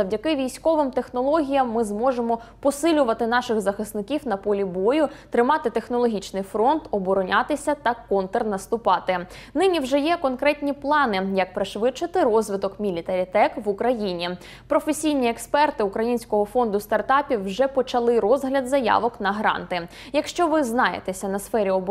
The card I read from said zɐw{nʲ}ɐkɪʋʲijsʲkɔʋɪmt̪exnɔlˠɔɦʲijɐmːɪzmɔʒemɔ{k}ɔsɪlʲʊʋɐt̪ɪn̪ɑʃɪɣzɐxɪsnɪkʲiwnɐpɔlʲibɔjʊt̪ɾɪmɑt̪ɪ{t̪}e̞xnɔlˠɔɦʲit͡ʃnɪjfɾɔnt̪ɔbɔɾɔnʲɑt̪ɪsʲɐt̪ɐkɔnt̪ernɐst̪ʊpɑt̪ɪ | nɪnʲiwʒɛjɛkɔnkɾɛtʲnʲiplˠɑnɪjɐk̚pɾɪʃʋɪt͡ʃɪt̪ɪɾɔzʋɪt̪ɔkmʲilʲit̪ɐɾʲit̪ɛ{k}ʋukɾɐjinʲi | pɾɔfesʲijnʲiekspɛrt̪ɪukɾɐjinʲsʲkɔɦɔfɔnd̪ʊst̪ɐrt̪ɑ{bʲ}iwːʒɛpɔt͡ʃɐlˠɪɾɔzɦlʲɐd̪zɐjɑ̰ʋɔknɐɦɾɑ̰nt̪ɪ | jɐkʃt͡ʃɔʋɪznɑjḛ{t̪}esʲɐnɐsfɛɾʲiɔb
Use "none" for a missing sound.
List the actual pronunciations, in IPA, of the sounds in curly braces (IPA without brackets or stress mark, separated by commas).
dʲ, p, t̪, k, pʲ, t̪